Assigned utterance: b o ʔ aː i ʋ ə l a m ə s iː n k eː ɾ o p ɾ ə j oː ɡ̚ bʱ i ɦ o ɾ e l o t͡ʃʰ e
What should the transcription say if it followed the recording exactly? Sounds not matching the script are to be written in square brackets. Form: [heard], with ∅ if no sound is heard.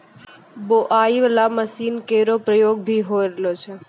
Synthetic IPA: b o ʔ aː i ʋ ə l a m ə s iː n k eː ɾ o p ɾ ə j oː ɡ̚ bʱ i ɦ o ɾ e l o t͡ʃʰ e